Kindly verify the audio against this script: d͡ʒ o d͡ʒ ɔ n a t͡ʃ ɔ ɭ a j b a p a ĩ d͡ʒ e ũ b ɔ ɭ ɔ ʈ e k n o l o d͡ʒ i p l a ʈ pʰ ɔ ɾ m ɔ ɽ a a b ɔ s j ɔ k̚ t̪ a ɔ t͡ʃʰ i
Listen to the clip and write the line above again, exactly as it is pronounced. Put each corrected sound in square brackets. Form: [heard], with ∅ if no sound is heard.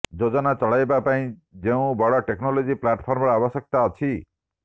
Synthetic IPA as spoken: d͡ʒ o d͡ʒ ɔ n a t͡ʃ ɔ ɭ a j b a p a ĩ d͡ʒ e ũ b ɔ [ɽ] ɔ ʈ e k n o l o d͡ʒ i p l a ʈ pʰ ɔ ɾ m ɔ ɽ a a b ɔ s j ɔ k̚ t̪ a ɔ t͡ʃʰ i